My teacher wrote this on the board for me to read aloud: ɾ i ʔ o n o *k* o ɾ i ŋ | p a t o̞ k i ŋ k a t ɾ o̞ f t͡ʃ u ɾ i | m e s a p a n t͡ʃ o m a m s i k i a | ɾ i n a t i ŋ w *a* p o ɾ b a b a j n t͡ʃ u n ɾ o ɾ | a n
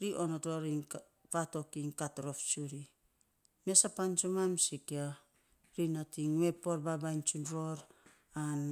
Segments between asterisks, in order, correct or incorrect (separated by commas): incorrect, incorrect